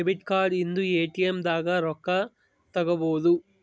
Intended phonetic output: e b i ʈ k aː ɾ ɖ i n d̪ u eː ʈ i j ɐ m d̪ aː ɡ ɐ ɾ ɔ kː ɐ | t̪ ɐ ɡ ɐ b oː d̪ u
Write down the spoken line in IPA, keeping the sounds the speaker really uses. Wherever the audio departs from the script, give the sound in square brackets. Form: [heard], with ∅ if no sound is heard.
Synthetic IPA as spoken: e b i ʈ k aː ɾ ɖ i n d̪ u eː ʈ i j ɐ m d̪ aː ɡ ɐ ɾ ɔ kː ɐ | t̪ ɐ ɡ ɐ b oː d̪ u